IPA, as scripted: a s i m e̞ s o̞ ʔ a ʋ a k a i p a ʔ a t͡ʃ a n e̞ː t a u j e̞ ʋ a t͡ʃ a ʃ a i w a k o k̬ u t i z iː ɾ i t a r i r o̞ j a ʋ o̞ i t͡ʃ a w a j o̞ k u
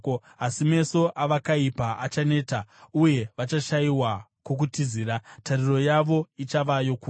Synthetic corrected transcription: a s i m e̞ s o̞ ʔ a ʋ a k a i p a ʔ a t͡ʃ a n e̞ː t a u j e̞ ʋ a t͡ʃ a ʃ a i w a k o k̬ u t i z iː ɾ a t a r i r o̞ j a ʋ o̞ i t͡ʃ a ʋ a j o̞ k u